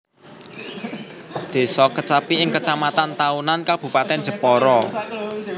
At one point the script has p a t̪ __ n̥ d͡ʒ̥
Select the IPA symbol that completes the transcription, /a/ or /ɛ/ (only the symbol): ɛ